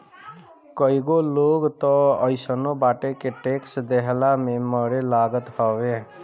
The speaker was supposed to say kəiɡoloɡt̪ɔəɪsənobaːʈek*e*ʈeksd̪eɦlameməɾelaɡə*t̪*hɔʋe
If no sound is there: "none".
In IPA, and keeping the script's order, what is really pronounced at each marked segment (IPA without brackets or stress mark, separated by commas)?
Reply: e, t̪